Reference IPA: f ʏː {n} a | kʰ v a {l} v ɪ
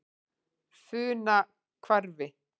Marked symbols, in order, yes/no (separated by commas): yes, no